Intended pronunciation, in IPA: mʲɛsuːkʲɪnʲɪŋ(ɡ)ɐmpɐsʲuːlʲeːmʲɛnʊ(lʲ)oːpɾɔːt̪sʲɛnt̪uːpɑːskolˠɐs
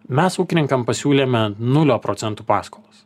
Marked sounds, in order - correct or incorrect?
incorrect, correct

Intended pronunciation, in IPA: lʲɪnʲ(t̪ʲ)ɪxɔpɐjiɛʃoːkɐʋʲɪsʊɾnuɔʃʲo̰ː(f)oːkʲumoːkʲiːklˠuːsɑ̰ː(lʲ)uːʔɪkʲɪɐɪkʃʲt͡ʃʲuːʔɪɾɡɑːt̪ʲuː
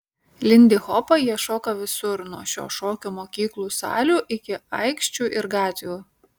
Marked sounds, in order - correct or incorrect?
incorrect, incorrect, correct

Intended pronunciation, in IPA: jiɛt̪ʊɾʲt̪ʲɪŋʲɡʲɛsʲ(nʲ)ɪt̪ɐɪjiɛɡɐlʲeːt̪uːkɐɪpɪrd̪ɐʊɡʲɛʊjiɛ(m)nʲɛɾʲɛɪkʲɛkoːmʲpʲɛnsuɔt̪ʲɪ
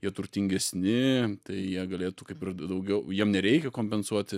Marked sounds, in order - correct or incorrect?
correct, correct

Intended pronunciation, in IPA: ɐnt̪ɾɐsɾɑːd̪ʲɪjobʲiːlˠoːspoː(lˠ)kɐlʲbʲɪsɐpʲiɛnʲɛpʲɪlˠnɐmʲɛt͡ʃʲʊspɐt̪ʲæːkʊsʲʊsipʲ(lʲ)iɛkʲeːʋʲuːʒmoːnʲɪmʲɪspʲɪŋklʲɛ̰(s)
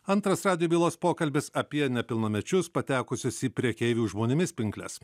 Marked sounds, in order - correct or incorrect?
incorrect, incorrect, correct

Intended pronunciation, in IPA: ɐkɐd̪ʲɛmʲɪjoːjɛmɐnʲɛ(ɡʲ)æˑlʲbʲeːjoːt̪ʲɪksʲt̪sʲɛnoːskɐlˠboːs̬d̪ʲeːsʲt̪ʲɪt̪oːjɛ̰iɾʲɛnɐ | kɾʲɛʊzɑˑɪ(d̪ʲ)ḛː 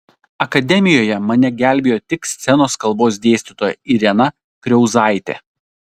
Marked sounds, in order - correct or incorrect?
correct, incorrect

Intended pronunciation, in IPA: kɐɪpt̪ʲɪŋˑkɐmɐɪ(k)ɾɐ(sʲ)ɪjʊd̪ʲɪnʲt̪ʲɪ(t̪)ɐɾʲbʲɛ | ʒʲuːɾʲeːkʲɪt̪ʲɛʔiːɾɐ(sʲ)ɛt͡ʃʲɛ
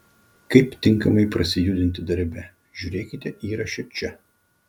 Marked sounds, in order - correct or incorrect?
incorrect, correct, incorrect, incorrect

